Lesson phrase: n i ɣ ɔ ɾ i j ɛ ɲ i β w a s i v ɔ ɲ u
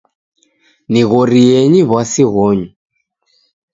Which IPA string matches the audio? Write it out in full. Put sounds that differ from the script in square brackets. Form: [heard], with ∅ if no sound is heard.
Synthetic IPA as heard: n i ɣ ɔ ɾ i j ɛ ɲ i β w a s i [ɣ] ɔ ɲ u